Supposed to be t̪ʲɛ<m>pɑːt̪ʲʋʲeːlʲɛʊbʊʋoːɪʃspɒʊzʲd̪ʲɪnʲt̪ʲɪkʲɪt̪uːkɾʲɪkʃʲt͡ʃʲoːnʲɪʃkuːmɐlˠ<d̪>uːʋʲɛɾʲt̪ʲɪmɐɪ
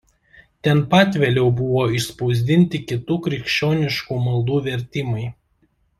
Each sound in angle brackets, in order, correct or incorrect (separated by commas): incorrect, correct